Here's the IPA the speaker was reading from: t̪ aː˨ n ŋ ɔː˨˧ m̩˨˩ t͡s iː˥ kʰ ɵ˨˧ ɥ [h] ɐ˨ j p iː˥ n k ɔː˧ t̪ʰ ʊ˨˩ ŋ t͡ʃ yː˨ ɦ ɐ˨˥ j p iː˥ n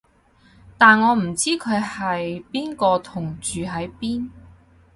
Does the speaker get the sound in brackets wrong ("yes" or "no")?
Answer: no